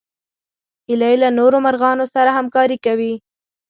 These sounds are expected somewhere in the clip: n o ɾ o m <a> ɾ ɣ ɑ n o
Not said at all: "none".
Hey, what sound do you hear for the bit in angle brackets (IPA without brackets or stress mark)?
a